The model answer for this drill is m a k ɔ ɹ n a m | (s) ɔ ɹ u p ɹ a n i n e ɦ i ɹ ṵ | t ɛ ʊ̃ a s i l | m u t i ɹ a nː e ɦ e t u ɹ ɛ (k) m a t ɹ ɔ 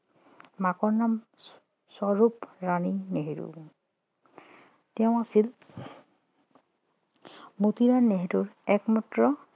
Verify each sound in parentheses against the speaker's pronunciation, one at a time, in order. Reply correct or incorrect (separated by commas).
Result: correct, correct